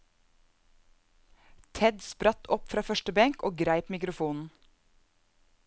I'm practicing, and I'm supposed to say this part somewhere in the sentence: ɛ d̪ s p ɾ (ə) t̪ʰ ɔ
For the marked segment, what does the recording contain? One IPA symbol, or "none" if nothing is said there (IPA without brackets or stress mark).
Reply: ɑ